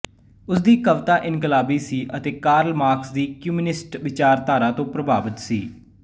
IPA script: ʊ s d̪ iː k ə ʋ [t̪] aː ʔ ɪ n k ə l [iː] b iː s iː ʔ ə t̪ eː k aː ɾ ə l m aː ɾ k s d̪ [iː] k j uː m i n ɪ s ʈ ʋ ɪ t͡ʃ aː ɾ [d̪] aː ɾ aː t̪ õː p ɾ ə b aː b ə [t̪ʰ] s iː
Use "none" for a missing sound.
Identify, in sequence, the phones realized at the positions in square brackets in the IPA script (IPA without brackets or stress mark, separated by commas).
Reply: t̪, aː, iː, t̪, t̪